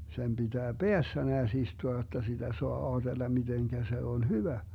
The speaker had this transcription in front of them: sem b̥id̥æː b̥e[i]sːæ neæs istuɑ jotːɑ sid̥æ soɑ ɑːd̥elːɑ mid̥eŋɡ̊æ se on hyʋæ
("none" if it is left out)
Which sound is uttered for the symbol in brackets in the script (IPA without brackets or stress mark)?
æ